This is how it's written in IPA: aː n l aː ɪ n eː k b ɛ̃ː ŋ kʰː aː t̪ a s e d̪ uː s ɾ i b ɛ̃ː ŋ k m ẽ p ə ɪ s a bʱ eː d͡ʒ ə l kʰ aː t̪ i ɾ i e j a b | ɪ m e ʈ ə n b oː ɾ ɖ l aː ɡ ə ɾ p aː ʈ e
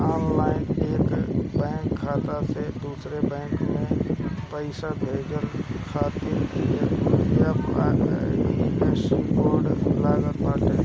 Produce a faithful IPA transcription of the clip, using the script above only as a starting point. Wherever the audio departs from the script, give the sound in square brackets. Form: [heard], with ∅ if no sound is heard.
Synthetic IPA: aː n l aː ɪ n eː k b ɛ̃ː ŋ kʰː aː t̪ a s e d̪ uː s ɾ [e] b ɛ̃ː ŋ k m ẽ p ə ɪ s a bʱ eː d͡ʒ ə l kʰ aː t̪ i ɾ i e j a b | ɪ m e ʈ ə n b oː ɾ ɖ l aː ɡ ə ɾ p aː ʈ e